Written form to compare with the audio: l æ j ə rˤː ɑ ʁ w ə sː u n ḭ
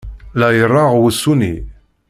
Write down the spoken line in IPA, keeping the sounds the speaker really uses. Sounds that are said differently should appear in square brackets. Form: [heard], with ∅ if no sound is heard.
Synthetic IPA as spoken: l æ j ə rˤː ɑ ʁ w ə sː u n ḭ